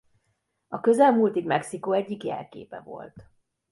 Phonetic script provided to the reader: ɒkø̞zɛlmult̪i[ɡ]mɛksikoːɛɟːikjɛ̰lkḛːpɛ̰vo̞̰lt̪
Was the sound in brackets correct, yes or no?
yes